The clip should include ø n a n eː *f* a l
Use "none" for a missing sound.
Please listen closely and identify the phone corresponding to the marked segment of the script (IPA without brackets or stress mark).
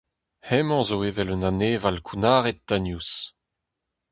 v